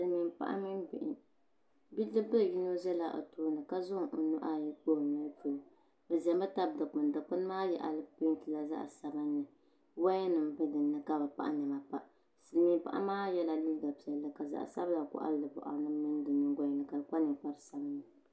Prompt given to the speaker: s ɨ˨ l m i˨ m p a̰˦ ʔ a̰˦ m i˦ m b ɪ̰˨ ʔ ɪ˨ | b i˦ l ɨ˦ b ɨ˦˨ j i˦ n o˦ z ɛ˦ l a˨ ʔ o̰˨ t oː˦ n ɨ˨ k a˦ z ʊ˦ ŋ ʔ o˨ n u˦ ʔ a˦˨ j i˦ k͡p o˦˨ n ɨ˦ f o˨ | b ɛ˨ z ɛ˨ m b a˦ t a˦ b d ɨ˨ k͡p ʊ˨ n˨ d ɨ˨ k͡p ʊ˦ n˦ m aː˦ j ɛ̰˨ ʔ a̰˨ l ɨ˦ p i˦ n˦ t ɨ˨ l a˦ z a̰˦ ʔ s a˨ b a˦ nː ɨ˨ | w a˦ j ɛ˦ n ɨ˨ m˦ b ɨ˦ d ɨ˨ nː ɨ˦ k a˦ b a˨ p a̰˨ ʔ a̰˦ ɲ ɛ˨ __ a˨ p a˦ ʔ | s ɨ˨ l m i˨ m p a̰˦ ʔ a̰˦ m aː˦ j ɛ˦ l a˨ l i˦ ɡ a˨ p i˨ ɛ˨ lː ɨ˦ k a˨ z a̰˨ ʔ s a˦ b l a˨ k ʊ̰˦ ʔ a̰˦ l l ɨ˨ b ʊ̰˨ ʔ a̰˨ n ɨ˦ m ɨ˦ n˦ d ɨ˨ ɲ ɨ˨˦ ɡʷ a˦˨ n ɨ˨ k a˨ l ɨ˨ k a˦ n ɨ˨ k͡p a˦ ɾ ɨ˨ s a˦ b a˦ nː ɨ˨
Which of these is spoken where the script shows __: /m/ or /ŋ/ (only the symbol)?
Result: m